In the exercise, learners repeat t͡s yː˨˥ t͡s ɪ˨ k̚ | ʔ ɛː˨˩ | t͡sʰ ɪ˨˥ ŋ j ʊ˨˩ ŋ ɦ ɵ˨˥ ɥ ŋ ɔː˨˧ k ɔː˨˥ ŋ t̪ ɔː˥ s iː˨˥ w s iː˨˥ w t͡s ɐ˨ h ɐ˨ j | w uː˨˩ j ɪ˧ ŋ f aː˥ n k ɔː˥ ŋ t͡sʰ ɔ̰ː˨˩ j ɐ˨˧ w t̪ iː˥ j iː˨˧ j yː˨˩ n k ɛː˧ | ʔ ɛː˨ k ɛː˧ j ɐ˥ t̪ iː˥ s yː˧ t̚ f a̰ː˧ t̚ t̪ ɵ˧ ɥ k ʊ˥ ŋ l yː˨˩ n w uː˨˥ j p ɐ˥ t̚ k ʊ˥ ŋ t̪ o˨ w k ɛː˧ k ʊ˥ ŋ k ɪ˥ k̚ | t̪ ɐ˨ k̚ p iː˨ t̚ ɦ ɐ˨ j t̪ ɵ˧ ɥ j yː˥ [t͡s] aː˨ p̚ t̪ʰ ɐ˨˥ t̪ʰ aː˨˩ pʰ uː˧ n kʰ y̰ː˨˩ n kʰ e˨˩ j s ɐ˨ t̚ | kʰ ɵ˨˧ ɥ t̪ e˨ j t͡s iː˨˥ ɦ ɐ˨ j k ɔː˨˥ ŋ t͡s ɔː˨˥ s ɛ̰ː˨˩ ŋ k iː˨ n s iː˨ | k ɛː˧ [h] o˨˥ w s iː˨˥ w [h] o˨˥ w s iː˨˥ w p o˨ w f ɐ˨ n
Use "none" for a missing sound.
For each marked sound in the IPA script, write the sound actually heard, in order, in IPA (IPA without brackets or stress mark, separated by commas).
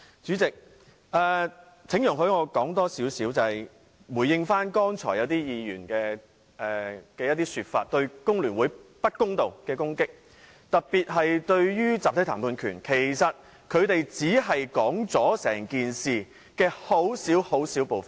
t͡s, h, h